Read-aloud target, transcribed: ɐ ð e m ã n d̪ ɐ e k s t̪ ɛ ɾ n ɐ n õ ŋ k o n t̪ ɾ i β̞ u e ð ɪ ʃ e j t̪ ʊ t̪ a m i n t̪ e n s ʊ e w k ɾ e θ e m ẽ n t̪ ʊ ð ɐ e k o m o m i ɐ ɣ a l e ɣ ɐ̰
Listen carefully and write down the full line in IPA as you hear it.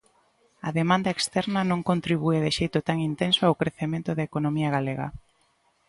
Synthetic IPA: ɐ ð e m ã n d̪ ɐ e k s t̪ ɛ ɾ n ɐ n õ ŋ k o n t̪ ɾ i β̞ u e ð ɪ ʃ e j t̪ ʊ t̪ a ŋ i n t̪ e n s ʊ a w k ɾ e θ e m ẽ n t̪ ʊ ð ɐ e k o n o m i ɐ ɣ a l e ɣ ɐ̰